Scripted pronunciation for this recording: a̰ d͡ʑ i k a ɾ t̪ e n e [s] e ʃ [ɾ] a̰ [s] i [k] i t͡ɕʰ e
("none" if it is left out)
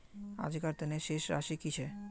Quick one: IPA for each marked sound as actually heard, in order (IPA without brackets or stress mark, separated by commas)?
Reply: ʃ, ɾ, ʃ, k